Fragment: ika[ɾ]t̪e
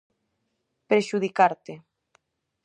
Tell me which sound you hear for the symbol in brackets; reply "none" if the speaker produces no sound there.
ɾ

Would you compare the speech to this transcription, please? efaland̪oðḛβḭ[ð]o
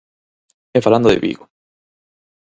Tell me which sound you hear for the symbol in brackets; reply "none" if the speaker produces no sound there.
ɣ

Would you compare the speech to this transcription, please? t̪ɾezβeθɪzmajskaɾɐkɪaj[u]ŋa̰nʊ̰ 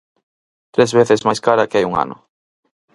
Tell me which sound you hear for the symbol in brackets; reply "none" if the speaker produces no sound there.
u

